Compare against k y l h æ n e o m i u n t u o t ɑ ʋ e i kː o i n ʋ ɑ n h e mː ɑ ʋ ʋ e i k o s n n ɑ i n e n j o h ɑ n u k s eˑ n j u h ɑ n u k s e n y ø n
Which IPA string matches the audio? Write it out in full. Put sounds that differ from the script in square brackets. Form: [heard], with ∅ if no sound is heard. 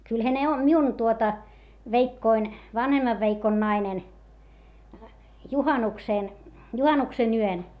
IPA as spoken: k y l h æ n e o m i u n t u o t ɑ ʋ e i kː o i n ʋ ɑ n h e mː ɑ ʋ ʋ e i k o [∅] n n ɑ i n e n j [u] h ɑ n u k s eˑ n j u h ɑ n u k s e n y ø n